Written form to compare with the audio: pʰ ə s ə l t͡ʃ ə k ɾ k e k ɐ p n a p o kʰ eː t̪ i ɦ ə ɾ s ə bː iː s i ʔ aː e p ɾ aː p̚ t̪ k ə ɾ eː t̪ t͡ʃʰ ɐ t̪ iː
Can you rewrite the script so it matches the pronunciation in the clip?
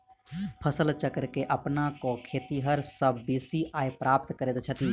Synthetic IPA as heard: pʰ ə s ə l t͡ʃ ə k ɾ k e ʔ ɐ p n a k o kʰ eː t̪ i ɦ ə ɾ s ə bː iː s i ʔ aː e p ɾ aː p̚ t̪ k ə ɾ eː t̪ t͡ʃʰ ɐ t̪ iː